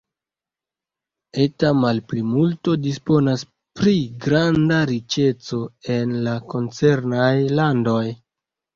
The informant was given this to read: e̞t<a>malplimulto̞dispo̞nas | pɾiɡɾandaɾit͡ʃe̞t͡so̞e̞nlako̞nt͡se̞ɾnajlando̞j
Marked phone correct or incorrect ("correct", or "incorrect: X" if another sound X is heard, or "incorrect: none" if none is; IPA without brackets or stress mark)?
correct